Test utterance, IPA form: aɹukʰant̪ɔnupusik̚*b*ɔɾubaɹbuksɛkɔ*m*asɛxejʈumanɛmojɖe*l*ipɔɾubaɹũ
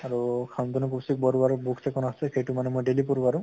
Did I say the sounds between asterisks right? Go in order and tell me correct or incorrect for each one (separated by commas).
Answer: correct, incorrect, correct